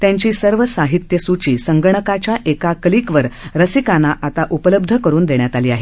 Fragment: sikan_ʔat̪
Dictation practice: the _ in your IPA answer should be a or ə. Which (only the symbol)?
a